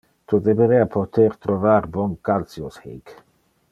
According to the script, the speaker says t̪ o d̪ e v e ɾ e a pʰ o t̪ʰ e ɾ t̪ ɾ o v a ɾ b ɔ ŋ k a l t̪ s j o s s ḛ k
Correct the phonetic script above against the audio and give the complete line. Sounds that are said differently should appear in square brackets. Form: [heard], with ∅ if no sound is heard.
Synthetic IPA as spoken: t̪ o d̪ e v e ɾ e a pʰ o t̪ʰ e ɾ t̪ ɾ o v a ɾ b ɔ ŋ k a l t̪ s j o s [h] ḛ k